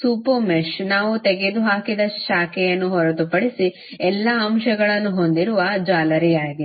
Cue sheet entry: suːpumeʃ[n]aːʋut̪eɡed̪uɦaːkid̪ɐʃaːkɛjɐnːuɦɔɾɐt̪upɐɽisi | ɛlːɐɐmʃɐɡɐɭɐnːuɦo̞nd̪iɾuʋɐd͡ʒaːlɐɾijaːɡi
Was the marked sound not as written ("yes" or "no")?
no